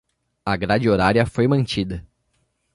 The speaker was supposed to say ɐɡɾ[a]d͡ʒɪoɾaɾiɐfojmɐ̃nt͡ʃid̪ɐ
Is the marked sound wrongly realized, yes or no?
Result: no